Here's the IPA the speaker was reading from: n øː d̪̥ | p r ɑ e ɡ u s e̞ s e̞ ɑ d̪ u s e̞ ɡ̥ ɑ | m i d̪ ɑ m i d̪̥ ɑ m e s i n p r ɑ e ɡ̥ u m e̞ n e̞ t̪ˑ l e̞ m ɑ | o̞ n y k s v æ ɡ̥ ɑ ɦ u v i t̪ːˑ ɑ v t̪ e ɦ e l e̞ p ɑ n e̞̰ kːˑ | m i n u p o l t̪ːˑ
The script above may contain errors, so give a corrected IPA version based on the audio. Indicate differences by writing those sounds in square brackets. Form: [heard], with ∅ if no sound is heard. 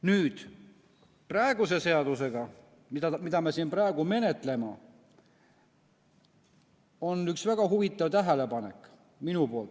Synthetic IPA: n [yː] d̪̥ | p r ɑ e ɡ u s e̞ s e̞ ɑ d̪ u s e̞ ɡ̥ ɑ | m i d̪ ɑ m i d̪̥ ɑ m e s i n p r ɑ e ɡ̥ u m e̞ n e̞ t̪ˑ l e̞ m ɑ | o̞ n y k s v æ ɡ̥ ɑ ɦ u v i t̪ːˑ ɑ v t̪ [æ] ɦ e l e̞ p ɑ n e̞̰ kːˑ | m i n u p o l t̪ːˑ